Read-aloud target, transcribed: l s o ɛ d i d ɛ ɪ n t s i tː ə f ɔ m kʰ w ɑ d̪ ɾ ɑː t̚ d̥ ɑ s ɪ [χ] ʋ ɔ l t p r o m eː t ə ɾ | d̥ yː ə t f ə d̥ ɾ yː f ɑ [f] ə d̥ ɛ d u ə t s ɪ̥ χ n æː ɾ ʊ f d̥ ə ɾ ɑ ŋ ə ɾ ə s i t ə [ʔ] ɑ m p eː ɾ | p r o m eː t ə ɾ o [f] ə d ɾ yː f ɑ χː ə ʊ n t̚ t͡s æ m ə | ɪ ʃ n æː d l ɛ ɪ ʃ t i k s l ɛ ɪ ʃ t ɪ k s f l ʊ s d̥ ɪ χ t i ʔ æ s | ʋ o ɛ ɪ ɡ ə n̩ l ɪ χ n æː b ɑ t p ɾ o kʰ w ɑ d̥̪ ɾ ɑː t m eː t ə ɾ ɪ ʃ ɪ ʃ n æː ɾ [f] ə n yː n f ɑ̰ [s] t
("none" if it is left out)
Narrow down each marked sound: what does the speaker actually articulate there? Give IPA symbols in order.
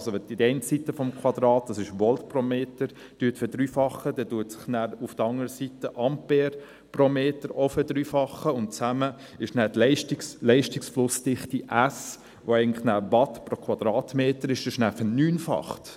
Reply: ʃ, χ, ʔ, f, f, χ

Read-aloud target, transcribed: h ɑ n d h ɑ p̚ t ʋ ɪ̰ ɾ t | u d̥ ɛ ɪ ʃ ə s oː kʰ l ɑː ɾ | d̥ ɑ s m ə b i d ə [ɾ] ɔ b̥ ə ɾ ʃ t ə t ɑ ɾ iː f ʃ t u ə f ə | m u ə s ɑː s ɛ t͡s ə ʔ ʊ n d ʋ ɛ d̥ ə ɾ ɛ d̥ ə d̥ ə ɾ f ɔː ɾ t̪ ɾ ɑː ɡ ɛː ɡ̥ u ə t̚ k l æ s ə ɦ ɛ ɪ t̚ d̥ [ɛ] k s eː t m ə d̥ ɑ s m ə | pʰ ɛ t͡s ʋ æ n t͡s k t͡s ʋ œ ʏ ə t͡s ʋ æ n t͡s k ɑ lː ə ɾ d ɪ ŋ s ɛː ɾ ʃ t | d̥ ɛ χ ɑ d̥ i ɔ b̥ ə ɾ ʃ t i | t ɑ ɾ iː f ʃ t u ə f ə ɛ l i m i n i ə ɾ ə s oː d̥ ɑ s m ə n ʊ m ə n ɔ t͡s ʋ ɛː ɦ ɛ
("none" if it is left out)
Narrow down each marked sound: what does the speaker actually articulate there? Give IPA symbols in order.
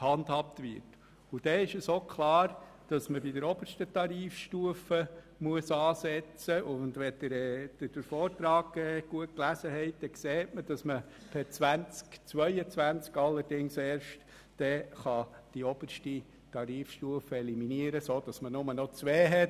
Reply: ɾ, ɛ

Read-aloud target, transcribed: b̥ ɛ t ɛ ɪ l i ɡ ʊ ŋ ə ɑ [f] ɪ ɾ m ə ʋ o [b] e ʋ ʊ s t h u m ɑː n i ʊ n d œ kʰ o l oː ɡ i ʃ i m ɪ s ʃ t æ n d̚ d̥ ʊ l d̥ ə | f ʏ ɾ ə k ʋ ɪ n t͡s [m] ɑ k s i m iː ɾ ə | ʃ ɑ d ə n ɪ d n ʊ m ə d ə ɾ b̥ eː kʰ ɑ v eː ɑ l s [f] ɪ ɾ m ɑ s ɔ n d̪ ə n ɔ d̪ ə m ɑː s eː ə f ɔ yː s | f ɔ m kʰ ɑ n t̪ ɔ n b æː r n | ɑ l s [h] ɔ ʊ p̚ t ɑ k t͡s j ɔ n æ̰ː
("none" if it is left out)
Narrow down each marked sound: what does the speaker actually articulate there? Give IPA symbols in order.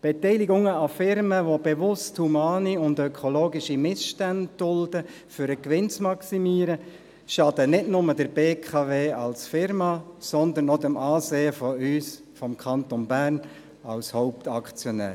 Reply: f, b, m, f, h

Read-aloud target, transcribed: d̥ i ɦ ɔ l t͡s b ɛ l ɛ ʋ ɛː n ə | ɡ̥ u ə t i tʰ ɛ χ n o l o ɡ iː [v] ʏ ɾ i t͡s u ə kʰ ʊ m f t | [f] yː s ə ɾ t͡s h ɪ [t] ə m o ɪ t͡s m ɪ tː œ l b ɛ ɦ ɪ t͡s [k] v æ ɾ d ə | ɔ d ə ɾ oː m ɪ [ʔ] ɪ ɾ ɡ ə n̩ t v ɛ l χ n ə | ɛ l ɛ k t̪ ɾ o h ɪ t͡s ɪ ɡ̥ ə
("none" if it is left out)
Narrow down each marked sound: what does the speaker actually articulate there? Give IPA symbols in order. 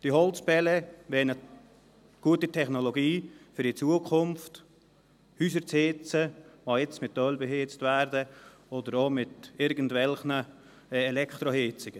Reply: f, h, t͡s, t, t

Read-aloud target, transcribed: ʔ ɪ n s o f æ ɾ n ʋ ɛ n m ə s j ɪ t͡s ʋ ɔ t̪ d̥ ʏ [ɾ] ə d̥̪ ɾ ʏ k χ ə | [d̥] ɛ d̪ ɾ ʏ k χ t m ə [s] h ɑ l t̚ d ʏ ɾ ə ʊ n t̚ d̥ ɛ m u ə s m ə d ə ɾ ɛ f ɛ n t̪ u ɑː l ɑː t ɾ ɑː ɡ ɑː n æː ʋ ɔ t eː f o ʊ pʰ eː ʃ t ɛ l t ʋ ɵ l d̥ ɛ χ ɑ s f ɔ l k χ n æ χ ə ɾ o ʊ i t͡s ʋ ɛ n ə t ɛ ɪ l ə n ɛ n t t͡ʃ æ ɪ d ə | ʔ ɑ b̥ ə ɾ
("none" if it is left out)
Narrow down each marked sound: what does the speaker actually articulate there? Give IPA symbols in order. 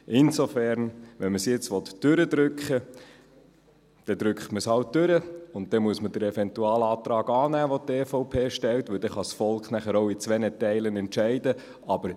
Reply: ɾ, d̥, s

